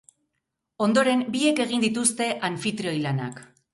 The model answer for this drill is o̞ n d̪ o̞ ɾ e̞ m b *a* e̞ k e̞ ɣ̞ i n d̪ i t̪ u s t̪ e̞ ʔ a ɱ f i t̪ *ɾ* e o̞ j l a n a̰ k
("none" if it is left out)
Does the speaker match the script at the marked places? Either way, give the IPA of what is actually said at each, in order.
i, ɾ

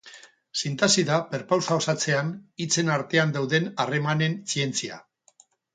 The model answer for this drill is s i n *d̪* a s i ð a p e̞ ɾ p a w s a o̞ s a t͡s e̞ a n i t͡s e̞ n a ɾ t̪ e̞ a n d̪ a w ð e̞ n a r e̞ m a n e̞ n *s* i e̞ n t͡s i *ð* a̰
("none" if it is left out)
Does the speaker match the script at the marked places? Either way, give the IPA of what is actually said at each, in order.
t̪, s, none

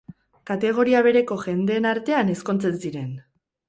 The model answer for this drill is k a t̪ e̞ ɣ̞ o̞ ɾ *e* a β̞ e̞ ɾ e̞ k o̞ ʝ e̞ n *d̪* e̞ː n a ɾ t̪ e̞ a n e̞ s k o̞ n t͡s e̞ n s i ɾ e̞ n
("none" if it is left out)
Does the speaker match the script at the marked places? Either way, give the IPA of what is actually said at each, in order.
i, d̪

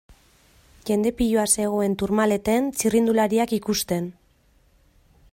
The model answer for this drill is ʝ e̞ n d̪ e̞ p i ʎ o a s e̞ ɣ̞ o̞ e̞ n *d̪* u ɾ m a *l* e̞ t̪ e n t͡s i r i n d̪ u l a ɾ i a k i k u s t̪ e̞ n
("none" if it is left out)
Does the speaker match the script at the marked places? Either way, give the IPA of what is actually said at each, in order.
t̪, l

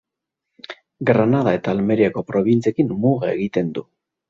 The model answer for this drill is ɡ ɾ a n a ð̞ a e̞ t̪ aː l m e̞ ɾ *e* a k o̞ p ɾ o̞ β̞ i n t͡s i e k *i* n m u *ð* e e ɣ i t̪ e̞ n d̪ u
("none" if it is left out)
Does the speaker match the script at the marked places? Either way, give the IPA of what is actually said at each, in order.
i, i, ɣ

